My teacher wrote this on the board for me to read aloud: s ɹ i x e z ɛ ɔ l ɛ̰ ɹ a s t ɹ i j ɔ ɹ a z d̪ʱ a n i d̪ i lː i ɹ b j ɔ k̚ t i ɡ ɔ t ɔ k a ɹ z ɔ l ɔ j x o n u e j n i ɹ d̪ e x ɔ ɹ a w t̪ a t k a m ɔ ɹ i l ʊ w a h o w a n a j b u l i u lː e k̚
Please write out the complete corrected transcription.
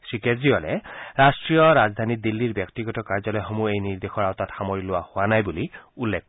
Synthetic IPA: s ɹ i k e z i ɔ l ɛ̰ ɹ a s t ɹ i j ɔ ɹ a z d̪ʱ a n i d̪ i lː i ɹ b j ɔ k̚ t i ɡ ɔ t ɔ k a ɹ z ɔ l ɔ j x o m u e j n i ɹ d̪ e x ɔ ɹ a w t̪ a t x a m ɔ ɹ i l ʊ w a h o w a n a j b u l i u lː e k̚